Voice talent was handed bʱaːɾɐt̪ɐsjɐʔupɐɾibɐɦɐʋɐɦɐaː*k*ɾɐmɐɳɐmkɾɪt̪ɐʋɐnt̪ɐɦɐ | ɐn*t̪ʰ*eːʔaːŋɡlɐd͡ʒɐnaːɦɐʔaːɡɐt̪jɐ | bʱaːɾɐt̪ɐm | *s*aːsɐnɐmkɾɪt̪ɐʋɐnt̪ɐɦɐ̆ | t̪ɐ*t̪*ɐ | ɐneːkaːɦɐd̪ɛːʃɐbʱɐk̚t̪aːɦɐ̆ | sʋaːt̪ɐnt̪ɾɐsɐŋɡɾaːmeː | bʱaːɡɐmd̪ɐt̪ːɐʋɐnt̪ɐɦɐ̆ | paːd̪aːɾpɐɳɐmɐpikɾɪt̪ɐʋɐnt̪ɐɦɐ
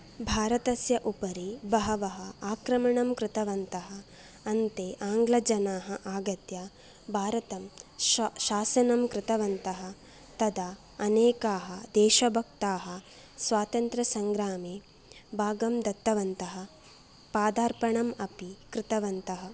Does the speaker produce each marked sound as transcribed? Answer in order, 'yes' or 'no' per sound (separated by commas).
yes, no, no, no